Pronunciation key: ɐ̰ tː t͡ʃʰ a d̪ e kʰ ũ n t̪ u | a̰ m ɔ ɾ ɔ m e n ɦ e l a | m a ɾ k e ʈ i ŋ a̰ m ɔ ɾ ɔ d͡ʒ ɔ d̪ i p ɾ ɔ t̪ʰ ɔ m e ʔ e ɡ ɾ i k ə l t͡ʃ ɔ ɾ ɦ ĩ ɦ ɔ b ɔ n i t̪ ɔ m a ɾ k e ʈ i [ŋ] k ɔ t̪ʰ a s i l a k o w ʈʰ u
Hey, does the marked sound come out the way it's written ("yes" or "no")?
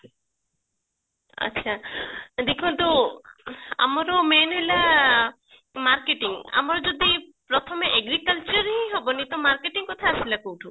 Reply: yes